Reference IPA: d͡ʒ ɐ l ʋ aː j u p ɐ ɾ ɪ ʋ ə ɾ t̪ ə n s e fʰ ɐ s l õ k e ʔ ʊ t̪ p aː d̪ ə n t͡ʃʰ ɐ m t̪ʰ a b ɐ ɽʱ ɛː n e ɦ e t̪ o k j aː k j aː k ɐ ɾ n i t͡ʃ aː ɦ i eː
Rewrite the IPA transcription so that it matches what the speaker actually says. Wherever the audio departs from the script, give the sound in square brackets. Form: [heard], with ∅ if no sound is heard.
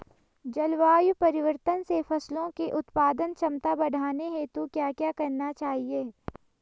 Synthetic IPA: d͡ʒ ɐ l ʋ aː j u p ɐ ɾ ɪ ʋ ə ɾ t̪ ə n s e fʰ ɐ s l õ k e ʔ ʊ t̪ p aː d̪ ə n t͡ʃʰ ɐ m [t̪] a b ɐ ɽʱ [aː] n e ɦ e t̪ o k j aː k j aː k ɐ ɾ n [a] t͡ʃ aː ɦ i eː